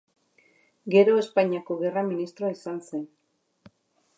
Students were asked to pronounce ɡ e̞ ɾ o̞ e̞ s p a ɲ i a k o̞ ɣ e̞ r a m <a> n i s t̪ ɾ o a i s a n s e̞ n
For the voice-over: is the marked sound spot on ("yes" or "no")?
no